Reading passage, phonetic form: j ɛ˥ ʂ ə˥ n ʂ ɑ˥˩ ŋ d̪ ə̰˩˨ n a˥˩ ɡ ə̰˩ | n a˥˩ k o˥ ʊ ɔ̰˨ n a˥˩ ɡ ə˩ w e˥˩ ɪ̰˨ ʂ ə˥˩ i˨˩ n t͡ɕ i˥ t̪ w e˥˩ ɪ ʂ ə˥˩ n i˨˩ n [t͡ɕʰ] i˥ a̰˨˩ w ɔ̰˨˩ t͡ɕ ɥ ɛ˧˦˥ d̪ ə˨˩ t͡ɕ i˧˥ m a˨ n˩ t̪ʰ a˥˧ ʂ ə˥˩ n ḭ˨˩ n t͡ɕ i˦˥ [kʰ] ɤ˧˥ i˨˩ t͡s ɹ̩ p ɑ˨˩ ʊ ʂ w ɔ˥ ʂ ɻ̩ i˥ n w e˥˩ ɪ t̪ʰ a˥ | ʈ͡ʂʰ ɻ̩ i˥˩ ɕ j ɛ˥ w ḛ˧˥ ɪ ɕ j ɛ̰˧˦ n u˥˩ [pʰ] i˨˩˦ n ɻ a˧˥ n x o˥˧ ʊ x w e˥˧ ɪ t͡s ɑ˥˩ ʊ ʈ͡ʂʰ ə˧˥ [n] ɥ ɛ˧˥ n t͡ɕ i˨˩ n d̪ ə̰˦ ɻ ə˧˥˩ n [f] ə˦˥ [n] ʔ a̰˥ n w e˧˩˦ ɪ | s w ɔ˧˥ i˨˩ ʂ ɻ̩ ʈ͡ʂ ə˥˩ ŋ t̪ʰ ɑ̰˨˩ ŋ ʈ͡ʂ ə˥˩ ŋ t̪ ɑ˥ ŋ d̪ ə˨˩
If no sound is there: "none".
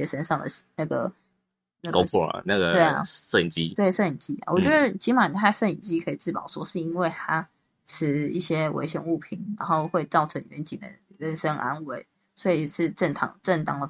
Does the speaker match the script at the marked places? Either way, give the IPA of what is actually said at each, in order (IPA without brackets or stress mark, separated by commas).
t͡ɕ, kʰ, pʰ, ŋ, ʂ, ŋ